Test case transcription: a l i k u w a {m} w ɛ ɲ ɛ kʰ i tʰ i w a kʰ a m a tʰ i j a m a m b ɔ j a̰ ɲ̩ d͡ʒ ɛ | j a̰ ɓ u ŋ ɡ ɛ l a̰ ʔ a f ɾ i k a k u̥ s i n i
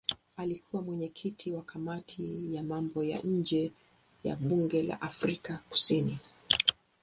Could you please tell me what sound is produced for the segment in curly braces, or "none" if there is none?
m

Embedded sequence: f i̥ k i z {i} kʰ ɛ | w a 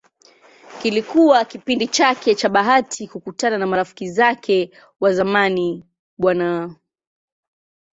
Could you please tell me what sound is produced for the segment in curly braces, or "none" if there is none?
a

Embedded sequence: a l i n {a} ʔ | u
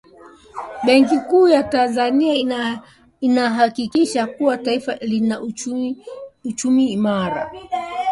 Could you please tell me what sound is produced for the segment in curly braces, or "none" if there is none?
a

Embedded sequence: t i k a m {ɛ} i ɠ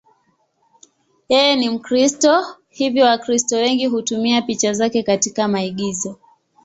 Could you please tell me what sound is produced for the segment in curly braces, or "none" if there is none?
a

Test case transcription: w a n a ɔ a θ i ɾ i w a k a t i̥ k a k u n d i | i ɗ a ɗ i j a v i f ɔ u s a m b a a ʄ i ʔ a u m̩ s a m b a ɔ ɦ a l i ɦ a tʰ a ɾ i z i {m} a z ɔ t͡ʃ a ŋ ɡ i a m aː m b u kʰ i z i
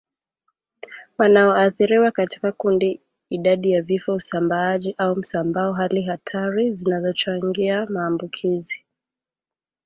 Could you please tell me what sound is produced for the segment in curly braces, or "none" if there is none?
n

